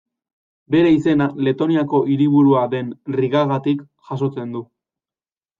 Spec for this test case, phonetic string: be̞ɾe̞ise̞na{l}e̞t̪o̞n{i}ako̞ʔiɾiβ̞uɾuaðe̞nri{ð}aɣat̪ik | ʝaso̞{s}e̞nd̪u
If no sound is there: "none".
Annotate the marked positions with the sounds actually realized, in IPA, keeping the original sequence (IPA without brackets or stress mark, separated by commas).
l, i, ɣ, t͡s